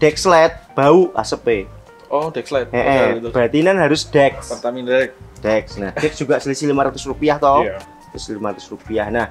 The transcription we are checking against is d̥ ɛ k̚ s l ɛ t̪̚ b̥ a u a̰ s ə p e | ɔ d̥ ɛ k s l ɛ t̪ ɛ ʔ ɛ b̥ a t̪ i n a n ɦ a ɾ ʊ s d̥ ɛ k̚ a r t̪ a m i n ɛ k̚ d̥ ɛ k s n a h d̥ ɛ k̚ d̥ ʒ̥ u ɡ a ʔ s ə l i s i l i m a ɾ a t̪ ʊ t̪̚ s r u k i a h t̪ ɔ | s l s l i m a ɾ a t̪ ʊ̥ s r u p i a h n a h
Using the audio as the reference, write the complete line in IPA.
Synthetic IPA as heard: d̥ ɛ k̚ s l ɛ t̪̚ b̥ a u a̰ s ə p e | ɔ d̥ ɛ k s l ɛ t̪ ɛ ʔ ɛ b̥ a t̪ i n a n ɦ a ɾ ʊ s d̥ ɛ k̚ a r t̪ a m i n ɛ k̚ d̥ ɛ k s n a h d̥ ɛ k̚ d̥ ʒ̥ u ɡ a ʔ s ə l i s i l i m a ɾ a t̪ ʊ s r u p i a h t̪ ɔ | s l s l i m a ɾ a t̪ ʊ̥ s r u p i a h n a h